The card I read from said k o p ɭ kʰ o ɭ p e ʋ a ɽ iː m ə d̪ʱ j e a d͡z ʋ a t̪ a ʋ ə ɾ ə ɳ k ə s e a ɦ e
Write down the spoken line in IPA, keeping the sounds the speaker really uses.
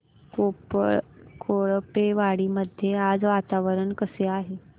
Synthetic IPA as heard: k o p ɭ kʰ o ɭ p e ʋ a ɽ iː m ə d̪ʱ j e a d͡z ʋ a t̪ a ʋ ə ɾ ə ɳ k ə s e a ɦ e